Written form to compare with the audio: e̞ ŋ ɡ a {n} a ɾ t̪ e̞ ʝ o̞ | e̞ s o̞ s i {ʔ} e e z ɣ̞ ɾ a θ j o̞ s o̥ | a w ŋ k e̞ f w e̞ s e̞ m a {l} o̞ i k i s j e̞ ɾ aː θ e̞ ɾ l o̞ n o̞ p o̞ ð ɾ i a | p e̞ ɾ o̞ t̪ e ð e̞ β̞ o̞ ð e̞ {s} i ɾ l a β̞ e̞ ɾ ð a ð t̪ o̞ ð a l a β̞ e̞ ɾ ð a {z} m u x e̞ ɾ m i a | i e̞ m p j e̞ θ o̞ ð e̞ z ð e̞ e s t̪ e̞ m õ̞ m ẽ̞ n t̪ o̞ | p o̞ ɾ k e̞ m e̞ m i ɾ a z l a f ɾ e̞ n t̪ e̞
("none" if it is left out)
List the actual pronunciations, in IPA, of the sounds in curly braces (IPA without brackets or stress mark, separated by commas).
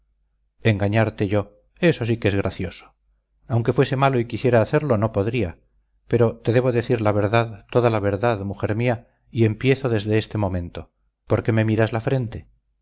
ɲ, k, l, θ, ð